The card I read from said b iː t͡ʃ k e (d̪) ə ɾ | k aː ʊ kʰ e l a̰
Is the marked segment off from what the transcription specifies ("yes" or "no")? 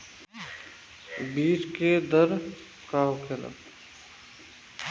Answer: no